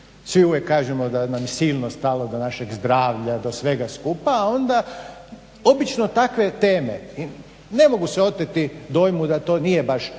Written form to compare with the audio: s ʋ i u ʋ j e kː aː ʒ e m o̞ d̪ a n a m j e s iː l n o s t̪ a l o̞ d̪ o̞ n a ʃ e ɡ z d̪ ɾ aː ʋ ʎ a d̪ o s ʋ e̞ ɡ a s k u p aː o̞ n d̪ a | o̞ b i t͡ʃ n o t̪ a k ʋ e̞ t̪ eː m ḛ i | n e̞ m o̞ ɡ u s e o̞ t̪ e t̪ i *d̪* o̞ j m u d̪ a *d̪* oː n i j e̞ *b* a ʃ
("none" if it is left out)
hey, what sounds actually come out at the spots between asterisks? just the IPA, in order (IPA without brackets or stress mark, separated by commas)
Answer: d̪, t̪, b